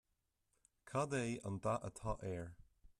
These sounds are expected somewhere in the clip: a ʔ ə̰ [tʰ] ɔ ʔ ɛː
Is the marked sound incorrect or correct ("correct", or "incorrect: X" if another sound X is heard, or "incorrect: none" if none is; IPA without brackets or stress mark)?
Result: correct